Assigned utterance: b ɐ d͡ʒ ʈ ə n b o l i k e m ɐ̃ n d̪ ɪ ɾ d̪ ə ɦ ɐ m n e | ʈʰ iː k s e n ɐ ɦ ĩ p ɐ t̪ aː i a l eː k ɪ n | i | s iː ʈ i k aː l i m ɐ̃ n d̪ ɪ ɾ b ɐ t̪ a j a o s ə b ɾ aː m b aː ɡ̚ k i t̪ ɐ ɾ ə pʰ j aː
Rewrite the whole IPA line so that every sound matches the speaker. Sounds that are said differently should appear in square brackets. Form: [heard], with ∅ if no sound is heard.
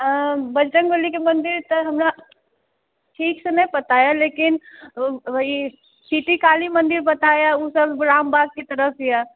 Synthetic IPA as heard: b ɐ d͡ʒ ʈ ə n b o l i k e m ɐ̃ n d̪ ɪ ɾ [t̪] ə ɦ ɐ m n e | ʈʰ iː k s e n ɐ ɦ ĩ p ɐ t̪ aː [j] a l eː k ɪ n | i | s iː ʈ i k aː l i m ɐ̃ n d̪ ɪ ɾ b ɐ t̪ a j a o s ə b ɾ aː m b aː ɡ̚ k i t̪ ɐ ɾ ə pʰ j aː